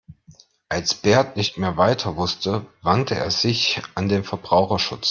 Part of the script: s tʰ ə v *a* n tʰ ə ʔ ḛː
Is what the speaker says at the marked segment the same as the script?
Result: yes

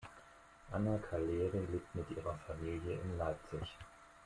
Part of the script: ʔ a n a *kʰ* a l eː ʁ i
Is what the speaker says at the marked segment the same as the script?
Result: yes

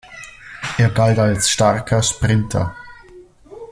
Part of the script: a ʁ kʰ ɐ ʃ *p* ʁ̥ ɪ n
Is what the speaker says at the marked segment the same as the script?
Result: yes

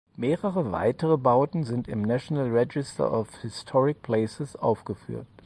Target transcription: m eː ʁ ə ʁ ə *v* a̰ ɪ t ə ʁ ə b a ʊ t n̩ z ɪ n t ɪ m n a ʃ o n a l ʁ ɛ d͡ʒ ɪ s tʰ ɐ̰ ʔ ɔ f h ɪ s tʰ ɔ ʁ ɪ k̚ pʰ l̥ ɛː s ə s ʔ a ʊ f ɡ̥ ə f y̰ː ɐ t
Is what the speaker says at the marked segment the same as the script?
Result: yes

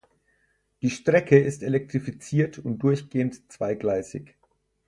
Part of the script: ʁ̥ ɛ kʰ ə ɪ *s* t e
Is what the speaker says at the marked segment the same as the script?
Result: yes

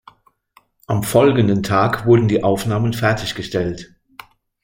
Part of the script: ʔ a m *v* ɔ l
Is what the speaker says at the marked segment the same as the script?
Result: no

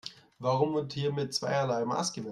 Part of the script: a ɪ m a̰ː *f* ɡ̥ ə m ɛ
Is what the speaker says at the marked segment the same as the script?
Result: no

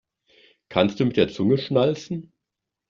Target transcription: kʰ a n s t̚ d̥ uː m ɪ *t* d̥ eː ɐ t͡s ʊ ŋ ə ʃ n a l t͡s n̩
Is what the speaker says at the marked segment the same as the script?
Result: yes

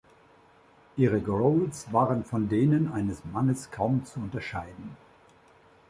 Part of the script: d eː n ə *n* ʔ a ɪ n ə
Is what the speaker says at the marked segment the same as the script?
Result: yes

